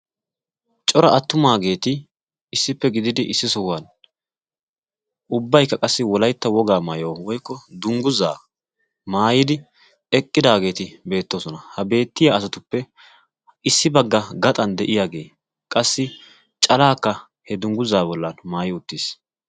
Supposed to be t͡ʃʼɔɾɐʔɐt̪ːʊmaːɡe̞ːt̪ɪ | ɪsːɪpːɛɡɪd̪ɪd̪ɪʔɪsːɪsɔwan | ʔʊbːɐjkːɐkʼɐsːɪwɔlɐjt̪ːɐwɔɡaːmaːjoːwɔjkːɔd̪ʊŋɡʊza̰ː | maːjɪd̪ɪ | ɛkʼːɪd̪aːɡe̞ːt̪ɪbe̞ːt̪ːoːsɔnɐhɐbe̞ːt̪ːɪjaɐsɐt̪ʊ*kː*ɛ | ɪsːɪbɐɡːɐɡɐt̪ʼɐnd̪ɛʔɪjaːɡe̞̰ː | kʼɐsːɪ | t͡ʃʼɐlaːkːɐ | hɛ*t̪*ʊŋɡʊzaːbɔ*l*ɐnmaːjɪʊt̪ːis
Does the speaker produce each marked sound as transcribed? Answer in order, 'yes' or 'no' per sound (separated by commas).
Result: no, no, no